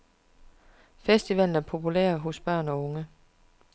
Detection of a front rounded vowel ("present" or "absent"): present